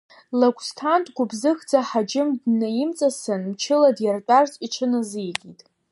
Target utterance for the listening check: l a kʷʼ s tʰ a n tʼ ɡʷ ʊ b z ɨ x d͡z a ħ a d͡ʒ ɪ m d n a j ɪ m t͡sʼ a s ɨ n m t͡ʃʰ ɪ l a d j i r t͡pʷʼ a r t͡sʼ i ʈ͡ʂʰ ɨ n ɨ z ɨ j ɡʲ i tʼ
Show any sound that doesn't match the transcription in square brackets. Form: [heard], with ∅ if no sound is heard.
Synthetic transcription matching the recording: l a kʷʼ s tʰ a n tʼ ɡʷ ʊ b z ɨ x d͡z a ħ a d͡ʒ ɪ m d n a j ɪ m t͡sʼ a s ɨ n m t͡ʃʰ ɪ l a d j [a] r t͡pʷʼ a r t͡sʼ i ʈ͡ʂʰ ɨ n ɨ z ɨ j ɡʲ i tʼ